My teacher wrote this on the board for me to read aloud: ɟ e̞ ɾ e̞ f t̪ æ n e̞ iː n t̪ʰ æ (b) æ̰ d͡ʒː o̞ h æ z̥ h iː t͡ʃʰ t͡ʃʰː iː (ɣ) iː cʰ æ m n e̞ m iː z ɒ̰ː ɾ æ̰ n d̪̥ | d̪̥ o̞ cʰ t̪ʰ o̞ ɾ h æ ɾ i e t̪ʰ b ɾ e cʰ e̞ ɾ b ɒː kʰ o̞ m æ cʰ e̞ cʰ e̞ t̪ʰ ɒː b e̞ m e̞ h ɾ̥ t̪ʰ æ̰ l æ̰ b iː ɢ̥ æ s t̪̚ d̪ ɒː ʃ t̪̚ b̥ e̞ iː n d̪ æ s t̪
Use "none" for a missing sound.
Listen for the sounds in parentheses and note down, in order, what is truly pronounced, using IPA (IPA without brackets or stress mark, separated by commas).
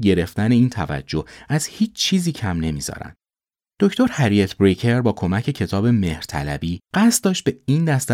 v, z